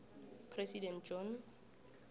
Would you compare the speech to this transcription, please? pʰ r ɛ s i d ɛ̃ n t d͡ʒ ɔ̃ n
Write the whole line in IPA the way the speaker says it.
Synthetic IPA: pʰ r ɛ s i d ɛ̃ n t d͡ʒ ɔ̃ n